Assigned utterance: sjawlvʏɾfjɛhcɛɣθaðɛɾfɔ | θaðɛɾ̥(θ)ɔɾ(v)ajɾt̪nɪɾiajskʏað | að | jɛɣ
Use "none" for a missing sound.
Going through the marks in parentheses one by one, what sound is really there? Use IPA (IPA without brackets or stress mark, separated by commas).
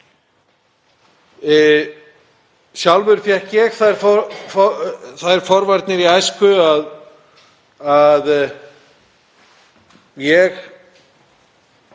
f, v